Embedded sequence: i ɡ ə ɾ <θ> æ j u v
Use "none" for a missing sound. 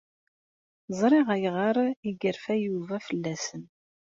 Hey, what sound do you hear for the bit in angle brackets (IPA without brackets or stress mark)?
f